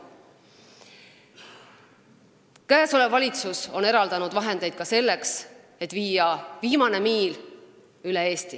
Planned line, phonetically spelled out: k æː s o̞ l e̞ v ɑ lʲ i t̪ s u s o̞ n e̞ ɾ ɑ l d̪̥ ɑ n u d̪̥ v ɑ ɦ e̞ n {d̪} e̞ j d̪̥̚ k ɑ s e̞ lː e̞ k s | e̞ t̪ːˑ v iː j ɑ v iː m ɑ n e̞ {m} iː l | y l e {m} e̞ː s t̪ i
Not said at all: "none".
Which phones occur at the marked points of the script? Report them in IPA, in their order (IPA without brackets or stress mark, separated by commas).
d̪, m, none